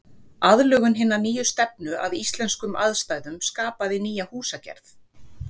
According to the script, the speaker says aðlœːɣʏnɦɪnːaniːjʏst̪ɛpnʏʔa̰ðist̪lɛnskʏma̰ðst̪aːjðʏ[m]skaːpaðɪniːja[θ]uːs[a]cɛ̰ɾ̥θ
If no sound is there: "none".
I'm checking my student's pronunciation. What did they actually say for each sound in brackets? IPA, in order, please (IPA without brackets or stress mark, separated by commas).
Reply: m, h, a